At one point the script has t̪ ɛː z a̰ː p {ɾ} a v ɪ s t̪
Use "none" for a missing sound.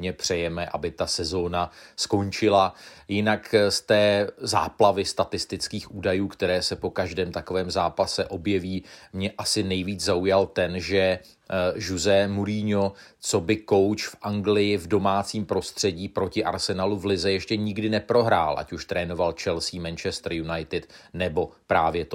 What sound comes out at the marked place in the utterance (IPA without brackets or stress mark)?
l